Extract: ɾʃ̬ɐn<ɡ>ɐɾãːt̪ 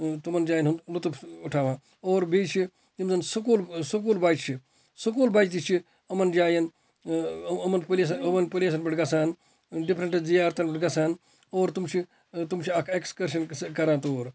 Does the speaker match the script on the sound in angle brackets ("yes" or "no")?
no